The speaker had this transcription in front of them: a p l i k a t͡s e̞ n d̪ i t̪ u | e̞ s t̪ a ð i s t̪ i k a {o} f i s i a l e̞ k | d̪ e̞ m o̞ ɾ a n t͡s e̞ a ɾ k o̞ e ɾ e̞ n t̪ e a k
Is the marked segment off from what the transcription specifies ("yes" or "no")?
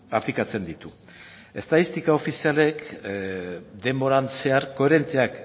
no